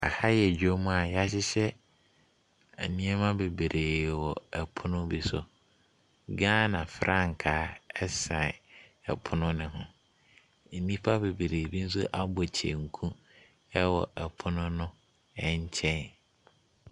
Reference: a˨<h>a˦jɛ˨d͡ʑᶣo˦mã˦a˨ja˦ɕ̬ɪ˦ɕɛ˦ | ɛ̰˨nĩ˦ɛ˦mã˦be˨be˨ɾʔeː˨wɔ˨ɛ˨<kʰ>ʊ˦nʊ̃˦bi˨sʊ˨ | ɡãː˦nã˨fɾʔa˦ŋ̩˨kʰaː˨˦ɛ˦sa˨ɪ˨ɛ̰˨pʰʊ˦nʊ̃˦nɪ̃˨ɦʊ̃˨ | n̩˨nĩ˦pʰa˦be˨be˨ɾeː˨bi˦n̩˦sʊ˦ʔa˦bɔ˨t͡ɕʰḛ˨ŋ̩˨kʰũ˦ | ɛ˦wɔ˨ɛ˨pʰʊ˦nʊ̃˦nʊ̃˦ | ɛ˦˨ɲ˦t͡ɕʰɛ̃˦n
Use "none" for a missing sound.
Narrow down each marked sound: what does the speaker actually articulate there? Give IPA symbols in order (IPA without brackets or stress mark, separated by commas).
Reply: h, pʰ